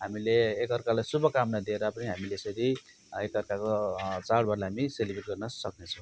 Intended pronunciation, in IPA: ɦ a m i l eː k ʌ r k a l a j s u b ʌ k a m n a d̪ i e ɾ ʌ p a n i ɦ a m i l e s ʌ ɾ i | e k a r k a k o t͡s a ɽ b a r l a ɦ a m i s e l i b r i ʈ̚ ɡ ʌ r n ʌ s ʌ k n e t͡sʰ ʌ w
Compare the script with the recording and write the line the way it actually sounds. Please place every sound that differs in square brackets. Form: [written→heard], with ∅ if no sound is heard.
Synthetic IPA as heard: ɦ a m i l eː k ʌ r k a l a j s u b ʌ k a m n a d̪ i e ɾ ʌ p [a→ʌ] n i ɦ a m i l e s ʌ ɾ i | e k [a→ʌ] r k a k o t͡s a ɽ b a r l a ɦ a m i s e l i b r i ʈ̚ ɡ ʌ r n ʌ s ʌ k n e t͡sʰ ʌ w